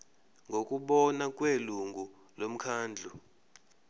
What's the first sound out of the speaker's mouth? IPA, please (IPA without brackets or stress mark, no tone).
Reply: ŋ